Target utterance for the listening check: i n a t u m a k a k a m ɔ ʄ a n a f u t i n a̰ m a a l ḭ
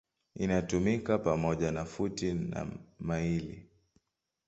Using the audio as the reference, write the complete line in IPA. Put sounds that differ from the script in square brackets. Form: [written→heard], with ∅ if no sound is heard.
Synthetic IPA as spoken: i n a t u m [a→i] k a [k→p] a m ɔ ʄ a n a f u t i n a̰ m a [a→i] l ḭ